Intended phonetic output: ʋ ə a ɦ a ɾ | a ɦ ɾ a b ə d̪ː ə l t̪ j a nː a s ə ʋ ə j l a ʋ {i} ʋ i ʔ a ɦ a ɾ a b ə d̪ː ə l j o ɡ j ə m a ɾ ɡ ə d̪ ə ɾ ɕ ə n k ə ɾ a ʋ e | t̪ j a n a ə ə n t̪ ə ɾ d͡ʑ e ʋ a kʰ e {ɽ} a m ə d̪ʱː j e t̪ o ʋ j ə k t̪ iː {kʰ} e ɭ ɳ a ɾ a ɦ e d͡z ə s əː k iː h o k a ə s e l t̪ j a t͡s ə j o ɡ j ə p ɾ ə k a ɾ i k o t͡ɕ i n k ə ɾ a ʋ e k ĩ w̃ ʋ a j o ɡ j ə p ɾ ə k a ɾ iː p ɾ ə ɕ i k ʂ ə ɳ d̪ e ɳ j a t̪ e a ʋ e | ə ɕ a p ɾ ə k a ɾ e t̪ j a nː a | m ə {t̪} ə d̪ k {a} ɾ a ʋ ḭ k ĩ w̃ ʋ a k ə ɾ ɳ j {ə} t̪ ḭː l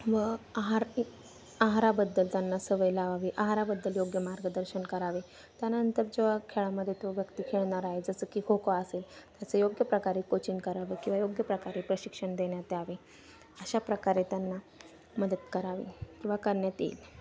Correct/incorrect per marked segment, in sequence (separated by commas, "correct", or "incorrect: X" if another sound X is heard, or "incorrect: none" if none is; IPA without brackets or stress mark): incorrect: a, incorrect: ɭ, correct, incorrect: d̪, incorrect: ə, incorrect: a